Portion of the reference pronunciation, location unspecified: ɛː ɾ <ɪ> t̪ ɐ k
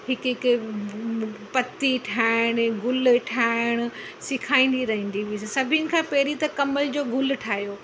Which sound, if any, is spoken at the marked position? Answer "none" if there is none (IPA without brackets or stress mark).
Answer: i